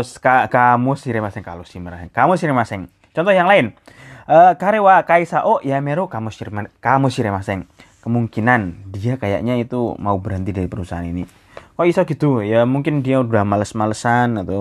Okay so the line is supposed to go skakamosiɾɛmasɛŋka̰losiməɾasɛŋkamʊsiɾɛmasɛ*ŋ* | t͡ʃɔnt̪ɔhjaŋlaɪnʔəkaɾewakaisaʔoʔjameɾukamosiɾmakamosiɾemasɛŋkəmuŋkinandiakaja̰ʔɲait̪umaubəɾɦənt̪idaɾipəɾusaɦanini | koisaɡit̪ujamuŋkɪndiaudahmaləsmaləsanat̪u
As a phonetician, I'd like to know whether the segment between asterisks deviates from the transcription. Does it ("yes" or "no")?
no